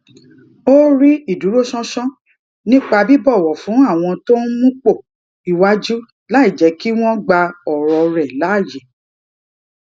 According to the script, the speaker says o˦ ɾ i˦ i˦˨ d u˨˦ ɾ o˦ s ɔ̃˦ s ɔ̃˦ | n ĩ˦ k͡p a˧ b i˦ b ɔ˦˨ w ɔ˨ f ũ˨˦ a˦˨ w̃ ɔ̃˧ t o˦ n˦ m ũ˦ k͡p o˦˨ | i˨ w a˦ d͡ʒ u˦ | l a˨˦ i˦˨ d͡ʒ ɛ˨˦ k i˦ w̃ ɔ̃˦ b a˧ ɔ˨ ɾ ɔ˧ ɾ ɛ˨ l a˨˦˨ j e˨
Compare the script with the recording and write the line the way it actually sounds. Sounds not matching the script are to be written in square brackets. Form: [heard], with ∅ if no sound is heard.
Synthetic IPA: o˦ ɾ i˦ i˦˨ d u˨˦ ɾ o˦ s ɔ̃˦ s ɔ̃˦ | n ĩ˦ k͡p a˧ b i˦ b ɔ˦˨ w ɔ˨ f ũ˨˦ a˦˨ w̃ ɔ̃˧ t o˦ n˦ m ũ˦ k͡p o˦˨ | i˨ w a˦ d͡ʒ u˦ | l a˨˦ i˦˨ d͡ʒ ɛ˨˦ k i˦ w̃ ɔ̃˦ [ɡ͡b] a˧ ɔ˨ ɾ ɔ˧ ɾ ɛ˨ l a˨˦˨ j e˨

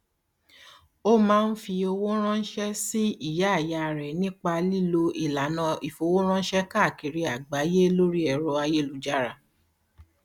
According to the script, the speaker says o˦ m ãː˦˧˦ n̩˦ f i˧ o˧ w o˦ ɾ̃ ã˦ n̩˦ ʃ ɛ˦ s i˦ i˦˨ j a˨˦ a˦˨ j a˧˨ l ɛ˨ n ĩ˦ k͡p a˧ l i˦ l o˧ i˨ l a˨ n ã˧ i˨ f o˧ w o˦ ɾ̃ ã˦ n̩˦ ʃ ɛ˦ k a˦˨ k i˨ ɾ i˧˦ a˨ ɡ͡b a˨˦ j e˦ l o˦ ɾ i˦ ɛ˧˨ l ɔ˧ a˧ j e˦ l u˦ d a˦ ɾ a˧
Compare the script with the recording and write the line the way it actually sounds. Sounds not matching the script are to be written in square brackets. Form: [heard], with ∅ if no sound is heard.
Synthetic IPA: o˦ m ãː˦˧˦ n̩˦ f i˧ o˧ w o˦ ɾ̃ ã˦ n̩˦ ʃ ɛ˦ s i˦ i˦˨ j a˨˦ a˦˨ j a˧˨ [ɾ] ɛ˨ n ĩ˦ k͡p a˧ l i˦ l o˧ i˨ l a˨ n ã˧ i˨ f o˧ w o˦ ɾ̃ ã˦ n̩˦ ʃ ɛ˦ k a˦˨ k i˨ ɾ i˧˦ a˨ ɡ͡b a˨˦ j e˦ l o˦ ɾ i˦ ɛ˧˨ [ɾ] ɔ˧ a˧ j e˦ l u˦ [d͡ʒ] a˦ ɾ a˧

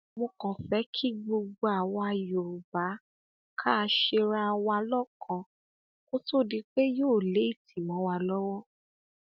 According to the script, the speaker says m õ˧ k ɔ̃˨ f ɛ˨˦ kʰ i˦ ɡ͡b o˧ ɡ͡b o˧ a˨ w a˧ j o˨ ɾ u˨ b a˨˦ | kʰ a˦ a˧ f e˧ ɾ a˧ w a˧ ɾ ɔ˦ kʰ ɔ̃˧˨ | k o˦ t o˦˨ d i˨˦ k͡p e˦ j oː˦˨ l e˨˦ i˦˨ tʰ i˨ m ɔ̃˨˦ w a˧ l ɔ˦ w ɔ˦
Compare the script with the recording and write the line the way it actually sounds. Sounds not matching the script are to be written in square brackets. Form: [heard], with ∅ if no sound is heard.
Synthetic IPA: m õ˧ k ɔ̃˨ f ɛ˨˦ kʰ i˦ ɡ͡b o˧ ɡ͡b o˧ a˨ w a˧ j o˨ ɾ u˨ b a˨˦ | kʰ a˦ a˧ [ʃ] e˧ ɾ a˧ w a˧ [l] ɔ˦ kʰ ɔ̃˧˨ | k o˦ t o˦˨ d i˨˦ k͡p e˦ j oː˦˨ l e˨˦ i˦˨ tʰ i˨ m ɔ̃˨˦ w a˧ l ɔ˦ w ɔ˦

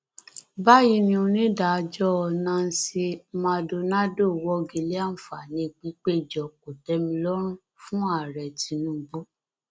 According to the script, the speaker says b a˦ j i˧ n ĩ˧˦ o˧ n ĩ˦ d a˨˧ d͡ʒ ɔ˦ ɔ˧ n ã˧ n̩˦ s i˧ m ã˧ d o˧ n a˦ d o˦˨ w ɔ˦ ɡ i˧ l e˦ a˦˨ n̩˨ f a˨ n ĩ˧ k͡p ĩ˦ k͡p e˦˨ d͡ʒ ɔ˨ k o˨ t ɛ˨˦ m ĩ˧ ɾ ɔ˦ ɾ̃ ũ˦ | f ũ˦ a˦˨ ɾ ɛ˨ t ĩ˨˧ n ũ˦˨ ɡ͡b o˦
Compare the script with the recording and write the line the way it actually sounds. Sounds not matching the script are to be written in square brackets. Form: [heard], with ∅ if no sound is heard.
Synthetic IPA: b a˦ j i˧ n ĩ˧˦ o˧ n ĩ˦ d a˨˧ d͡ʒ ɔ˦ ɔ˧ n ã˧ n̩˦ s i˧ m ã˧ d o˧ n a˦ d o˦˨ w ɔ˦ ɡ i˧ l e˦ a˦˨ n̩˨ f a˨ n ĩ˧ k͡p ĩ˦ k͡p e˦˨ d͡ʒ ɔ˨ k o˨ t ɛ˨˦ m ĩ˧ [l] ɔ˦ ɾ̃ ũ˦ | f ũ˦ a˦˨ ɾ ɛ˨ t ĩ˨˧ n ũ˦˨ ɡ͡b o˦

